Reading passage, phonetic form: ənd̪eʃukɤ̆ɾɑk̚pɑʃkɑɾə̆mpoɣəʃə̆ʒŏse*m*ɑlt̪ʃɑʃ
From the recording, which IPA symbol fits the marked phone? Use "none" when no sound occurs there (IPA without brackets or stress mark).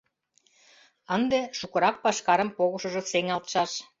ŋ